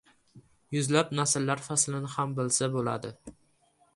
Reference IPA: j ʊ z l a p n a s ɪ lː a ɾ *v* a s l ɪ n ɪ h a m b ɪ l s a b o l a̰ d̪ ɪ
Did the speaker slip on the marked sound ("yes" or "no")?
yes